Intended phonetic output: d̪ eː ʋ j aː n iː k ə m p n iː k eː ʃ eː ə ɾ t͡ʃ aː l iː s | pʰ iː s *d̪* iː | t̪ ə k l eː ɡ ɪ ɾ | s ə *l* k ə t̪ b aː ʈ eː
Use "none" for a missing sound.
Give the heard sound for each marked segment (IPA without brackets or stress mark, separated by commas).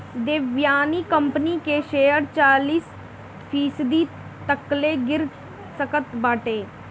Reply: d̪, none